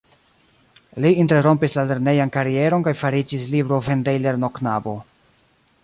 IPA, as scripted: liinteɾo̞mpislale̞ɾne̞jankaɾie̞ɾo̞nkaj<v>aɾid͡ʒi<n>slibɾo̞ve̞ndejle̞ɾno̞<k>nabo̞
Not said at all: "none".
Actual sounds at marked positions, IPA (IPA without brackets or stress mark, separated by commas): f, none, k